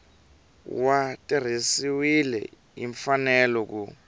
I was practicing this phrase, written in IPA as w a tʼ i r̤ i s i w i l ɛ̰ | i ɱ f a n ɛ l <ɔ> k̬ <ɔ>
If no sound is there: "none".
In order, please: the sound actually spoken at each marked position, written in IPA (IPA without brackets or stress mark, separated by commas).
ɔ, u